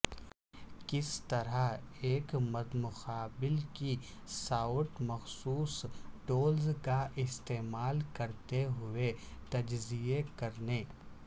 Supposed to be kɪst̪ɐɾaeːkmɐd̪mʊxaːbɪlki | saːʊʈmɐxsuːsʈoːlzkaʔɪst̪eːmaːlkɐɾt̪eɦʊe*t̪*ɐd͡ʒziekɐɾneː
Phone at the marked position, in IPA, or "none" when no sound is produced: t̪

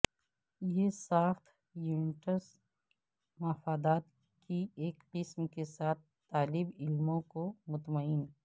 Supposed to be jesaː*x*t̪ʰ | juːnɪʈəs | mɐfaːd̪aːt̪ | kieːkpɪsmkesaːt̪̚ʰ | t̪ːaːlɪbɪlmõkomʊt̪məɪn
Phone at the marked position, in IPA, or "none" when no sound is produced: x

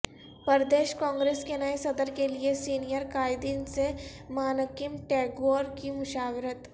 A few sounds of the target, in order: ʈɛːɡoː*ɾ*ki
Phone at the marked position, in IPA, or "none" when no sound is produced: ɾ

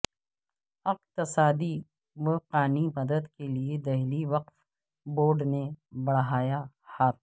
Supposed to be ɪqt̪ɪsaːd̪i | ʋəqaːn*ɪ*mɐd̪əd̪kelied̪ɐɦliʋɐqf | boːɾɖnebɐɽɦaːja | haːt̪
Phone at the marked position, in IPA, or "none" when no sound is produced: i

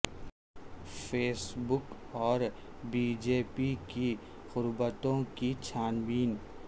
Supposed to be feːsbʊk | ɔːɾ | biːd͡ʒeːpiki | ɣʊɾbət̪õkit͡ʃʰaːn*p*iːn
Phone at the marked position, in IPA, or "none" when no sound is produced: b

